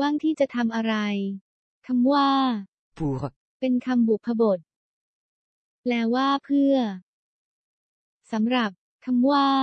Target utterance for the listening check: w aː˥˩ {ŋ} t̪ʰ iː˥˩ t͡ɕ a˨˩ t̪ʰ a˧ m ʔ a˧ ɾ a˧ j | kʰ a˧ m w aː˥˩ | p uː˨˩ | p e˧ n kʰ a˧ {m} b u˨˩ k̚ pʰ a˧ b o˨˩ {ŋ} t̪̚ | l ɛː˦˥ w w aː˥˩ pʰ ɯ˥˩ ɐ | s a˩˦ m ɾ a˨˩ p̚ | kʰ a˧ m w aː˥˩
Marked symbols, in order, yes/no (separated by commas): yes, yes, no